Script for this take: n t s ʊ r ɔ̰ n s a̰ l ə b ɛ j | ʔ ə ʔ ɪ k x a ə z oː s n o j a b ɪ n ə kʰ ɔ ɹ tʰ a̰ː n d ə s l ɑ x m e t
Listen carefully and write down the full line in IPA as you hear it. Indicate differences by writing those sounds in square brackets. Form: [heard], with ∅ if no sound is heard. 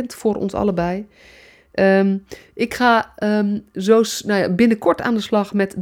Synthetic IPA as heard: n t [f] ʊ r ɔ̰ n s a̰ l ə b ɛ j | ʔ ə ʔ ɪ k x a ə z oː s n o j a b ɪ n ə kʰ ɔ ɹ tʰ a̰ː n d ə s l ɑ x m [ɛ] t